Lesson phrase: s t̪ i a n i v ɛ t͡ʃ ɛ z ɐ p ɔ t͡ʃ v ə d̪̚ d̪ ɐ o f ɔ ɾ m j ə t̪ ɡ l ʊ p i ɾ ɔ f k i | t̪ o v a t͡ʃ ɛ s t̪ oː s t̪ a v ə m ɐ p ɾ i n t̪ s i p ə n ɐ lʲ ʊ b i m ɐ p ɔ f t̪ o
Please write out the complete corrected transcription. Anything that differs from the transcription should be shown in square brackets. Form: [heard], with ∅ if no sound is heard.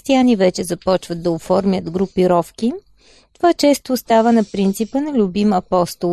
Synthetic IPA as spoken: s t̪ i a n i v ɛ t͡ʃ ɛ z ɐ p ɔ t͡ʃ v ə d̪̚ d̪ ɐ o f ɔ ɾ m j ə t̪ ɡ [ɾ] ʊ p i ɾ ɔ f k i | t̪ o v a t͡ʃ ɛ s t̪ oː s t̪ a v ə [n] ɐ p ɾ i n t̪ s i p ə n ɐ lʲ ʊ b i m ɐ p ɔ [s] t̪ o